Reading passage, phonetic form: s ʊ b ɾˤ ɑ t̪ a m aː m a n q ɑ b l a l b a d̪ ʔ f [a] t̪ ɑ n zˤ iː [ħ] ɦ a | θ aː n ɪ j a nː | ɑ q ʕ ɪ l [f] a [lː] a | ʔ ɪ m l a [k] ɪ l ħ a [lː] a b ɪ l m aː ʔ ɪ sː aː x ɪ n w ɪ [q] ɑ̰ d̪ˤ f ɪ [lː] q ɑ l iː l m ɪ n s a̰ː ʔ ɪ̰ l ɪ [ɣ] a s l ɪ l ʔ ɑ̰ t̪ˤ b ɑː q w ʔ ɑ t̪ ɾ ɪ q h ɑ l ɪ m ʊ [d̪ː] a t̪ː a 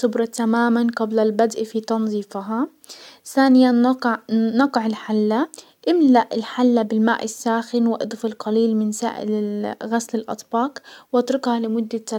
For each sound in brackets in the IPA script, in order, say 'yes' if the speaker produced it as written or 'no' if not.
no, no, no, yes, no, yes, no, no, yes, yes

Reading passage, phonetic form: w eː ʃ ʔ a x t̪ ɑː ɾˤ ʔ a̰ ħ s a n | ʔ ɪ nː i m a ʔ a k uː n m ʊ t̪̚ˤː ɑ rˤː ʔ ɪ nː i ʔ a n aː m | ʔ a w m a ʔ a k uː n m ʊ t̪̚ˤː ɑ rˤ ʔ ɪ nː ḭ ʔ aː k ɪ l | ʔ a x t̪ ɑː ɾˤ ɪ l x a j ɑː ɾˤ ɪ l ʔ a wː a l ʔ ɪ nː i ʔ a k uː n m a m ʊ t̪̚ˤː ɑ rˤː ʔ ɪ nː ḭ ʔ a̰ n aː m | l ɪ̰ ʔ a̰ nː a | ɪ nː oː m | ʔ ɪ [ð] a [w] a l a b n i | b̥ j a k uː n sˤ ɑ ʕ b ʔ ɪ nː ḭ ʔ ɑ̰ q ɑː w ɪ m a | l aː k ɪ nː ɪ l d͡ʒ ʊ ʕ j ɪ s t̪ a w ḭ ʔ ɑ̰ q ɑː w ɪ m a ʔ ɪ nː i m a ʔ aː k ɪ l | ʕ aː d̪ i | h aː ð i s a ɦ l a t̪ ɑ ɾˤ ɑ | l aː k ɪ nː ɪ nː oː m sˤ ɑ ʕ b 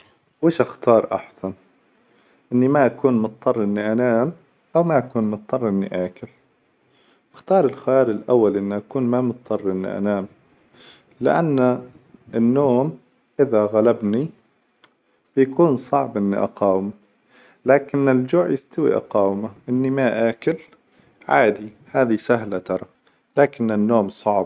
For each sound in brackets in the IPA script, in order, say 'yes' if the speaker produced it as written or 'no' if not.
yes, no

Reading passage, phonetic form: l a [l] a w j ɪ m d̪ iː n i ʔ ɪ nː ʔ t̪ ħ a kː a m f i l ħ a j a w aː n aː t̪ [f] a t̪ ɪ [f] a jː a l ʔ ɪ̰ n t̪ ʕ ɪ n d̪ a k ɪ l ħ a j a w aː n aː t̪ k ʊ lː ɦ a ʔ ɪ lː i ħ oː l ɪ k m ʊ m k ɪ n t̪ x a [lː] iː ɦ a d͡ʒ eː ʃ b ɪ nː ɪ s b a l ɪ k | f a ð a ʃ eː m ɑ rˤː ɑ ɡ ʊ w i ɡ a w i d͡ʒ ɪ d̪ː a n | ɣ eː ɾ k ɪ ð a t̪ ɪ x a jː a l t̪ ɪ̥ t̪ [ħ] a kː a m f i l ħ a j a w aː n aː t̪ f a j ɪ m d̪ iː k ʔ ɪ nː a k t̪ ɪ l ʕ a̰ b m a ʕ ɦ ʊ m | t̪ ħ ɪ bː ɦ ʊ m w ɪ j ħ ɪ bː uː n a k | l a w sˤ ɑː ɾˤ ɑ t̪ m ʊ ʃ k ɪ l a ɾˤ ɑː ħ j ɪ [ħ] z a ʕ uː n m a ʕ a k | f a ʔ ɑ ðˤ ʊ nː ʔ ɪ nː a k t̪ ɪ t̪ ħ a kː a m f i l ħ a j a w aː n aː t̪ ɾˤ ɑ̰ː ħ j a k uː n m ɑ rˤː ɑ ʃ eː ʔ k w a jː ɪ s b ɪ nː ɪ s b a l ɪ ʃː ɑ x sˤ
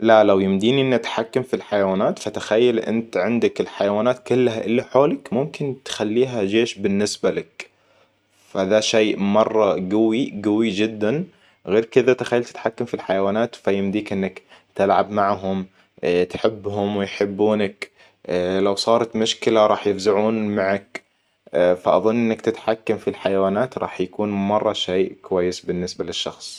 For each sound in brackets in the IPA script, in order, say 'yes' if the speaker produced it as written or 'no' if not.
yes, yes, no, yes, yes, no

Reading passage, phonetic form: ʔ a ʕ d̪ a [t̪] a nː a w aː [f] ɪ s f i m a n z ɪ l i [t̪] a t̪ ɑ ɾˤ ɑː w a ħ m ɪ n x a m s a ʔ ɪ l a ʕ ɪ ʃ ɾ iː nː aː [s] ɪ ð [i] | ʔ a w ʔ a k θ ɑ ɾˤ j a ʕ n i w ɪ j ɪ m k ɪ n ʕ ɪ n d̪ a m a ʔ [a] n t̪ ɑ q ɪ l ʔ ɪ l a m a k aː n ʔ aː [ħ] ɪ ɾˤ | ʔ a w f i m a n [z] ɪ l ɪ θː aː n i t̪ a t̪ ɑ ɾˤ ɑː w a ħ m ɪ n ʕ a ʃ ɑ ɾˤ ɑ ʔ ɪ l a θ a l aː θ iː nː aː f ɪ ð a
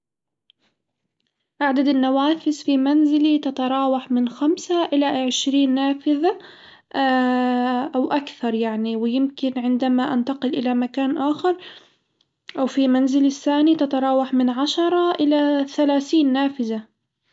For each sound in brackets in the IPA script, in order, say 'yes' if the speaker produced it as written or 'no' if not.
no, yes, yes, no, no, yes, no, yes

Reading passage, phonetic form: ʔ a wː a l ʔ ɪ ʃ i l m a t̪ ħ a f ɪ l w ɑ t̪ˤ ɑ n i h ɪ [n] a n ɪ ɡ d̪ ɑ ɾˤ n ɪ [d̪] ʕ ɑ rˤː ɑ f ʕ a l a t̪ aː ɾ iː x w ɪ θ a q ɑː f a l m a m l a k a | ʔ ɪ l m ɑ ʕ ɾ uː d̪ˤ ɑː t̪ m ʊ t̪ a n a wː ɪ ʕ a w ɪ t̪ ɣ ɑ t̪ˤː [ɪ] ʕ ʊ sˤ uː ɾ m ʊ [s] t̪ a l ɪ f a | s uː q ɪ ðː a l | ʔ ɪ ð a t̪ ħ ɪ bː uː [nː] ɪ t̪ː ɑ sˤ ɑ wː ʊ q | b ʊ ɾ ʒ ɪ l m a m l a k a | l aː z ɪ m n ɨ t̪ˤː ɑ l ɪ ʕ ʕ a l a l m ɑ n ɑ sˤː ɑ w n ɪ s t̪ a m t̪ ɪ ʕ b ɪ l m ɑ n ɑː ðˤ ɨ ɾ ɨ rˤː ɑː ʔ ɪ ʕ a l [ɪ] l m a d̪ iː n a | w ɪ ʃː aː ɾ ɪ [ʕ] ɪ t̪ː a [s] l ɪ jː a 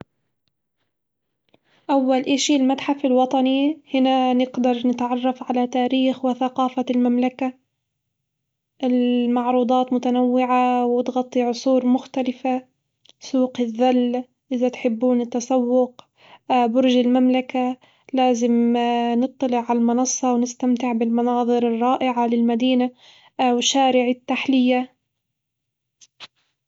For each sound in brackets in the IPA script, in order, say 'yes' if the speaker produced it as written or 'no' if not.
yes, no, no, no, no, yes, yes, no

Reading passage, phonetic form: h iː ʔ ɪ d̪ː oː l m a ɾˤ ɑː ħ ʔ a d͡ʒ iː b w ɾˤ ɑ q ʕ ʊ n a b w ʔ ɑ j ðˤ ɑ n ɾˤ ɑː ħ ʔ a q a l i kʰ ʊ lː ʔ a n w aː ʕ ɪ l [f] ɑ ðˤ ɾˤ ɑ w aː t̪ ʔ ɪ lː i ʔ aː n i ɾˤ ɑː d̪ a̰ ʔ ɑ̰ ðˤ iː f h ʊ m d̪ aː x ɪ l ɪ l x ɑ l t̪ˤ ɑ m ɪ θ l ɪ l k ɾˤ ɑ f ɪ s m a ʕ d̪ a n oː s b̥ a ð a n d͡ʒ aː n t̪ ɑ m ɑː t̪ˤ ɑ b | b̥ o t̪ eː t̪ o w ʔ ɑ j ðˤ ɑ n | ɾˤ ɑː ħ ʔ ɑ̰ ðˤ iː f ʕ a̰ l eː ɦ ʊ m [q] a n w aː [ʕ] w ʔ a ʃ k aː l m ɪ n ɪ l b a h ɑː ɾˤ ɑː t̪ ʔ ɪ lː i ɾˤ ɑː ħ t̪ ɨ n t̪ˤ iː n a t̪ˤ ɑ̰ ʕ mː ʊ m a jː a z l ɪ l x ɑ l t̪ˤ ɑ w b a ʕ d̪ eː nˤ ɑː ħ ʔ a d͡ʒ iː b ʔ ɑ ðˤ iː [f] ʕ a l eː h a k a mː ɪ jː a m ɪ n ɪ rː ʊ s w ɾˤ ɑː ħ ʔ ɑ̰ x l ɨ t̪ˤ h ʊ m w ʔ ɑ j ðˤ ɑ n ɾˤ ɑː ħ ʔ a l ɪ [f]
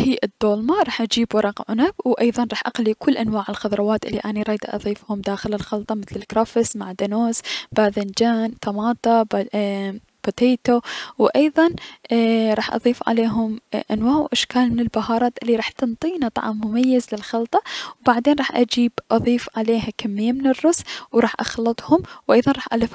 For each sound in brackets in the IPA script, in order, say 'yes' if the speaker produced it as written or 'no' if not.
no, no, yes, yes, yes

